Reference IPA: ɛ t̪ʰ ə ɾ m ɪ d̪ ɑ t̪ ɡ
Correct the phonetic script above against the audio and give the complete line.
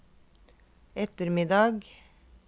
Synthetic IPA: ɛ t̪ ə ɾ m ɪ d̪ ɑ ɡ